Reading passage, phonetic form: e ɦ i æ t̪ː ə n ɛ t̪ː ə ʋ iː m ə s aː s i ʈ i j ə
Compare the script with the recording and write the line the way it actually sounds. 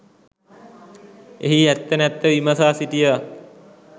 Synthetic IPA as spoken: e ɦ i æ t̪ː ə n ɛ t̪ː ə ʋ i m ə s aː s i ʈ i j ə